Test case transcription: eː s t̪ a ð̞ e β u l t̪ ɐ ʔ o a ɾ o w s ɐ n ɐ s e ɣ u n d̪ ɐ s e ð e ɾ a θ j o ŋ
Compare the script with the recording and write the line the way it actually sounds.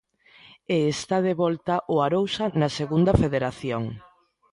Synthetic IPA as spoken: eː s t̪ a ð̞ e β ɔ l t̪ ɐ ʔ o a ɾ o w s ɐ n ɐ s e ɣ u n d̪ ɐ f e ð e ɾ a θ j o ŋ